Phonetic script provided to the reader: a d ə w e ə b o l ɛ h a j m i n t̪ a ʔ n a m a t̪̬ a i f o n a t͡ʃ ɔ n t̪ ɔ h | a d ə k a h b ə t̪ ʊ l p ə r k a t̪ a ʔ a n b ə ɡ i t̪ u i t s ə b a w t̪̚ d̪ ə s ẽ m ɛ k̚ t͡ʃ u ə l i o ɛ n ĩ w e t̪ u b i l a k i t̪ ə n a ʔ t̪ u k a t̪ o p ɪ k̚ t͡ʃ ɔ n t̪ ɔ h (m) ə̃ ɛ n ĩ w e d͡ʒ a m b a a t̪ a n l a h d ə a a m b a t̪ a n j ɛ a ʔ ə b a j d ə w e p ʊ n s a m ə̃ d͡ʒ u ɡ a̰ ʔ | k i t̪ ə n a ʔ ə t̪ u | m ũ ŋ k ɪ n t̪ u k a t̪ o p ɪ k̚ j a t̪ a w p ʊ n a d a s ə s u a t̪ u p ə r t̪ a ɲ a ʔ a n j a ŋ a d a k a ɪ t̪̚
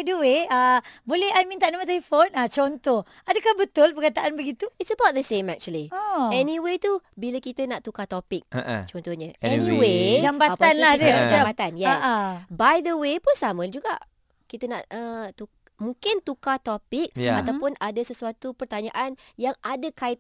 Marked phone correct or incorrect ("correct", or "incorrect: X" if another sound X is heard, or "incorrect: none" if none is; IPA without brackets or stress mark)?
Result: incorrect: ɲ